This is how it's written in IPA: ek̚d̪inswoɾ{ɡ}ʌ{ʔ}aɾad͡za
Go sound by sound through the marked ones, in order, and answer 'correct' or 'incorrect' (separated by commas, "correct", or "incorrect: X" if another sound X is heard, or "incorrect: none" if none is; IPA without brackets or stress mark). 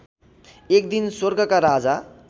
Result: correct, incorrect: k